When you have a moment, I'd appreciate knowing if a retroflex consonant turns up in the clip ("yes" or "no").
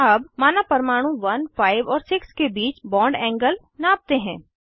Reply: yes